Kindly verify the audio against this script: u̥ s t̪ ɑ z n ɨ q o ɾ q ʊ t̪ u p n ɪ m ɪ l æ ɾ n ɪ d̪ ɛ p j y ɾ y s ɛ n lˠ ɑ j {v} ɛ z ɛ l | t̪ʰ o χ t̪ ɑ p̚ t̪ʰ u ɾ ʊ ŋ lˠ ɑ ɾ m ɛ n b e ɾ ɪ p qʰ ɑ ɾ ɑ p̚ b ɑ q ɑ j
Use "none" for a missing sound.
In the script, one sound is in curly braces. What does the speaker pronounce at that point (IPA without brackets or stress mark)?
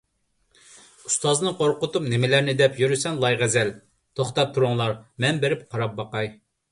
ʁ